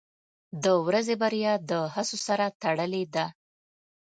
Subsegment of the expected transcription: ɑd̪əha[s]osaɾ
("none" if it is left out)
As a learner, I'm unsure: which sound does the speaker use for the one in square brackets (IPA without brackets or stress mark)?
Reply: s